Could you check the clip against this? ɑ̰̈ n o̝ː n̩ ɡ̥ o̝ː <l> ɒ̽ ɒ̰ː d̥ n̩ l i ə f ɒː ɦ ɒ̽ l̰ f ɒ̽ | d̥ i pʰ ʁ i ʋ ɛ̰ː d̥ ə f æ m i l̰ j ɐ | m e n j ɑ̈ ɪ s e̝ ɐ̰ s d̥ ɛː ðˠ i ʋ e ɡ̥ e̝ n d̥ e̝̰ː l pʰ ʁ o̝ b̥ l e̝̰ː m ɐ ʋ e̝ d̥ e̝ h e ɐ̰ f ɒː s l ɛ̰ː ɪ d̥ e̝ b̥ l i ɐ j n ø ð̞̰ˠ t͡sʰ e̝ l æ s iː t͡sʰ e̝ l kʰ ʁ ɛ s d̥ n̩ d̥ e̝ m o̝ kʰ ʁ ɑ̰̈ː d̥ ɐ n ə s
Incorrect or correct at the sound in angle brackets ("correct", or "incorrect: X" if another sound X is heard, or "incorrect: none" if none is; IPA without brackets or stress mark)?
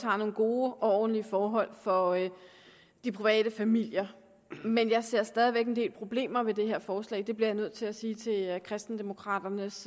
incorrect: none